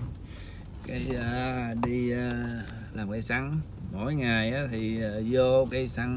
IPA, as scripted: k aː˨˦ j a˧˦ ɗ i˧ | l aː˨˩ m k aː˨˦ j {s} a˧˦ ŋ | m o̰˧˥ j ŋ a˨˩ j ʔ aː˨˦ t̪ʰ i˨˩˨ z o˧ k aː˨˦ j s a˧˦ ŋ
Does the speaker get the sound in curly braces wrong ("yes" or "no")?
no